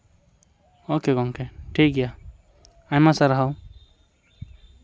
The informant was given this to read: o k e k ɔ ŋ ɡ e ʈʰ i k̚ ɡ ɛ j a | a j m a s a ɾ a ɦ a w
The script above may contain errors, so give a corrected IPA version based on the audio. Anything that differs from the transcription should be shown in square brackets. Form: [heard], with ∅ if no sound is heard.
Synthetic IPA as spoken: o k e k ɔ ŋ [k] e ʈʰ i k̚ ɡ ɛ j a | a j m a s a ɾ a ɦ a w